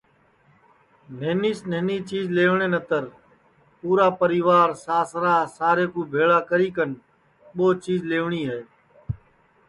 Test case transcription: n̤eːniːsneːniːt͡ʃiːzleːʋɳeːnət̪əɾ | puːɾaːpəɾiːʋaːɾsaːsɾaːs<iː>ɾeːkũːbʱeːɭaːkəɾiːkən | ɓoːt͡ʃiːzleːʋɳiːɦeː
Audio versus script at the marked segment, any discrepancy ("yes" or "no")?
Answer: yes